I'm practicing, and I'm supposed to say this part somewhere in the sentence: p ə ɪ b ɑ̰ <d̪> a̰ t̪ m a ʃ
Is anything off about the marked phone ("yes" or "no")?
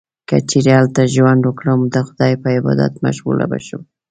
no